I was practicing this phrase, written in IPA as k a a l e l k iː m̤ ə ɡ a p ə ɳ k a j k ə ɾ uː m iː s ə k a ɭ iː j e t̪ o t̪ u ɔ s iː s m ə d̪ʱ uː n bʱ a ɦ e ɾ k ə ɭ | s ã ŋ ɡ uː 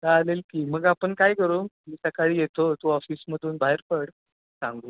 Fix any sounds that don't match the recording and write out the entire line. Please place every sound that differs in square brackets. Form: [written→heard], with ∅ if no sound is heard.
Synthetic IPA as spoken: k a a l e l k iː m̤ ə ɡ a p ə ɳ k a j k ə ɾ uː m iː s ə k a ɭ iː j e t̪ o t̪ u ɔ [s→f] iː s m ə d̪ʱ uː n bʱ a ɦ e ɾ [k→p] ə [ɭ→ɽ] | s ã ŋ ɡ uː